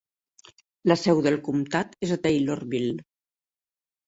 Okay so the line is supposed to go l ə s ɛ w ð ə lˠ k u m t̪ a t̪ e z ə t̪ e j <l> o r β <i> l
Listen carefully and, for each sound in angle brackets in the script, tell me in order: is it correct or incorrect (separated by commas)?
correct, correct